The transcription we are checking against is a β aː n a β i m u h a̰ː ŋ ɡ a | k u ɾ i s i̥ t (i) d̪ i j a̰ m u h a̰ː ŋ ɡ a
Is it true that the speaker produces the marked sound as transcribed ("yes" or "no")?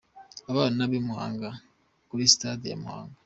no